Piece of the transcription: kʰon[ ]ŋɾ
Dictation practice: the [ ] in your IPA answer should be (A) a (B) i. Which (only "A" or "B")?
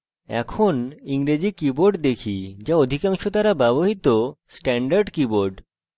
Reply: B